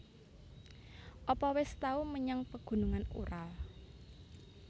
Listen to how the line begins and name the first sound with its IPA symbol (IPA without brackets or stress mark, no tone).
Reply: ʔ